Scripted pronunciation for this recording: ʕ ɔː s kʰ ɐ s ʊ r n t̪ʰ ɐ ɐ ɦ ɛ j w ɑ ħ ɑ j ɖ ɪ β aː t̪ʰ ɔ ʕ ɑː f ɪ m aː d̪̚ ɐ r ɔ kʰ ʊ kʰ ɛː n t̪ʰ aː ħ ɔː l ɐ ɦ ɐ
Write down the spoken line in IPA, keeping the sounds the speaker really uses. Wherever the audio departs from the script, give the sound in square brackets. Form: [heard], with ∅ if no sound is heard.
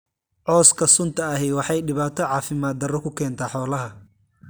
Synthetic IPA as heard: ʕ ɔː s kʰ ɐ s ʊ [∅] n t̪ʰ ɐ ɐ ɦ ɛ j w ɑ ħ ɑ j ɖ ɪ β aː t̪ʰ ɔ ʕ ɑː f ɪ m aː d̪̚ ɐ r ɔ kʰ ʊ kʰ ɛː n t̪ʰ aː ħ ɔː l ɐ ɦ ɐ